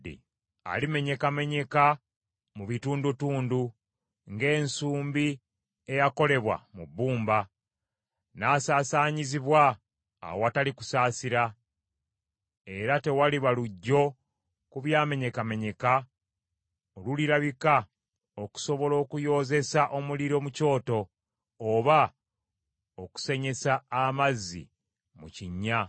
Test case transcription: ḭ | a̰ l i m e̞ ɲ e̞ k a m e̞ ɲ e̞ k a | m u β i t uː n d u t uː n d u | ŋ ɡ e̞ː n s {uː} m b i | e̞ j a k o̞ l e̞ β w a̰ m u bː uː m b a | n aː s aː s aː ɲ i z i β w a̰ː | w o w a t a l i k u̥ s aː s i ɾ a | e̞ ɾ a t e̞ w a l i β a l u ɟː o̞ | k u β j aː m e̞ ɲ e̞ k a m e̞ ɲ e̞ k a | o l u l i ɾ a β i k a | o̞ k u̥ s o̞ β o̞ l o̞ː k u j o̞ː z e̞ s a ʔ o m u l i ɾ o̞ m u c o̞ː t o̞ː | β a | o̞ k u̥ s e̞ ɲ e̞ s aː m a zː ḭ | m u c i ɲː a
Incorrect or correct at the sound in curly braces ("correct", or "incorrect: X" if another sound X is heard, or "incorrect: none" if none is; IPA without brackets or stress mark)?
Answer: correct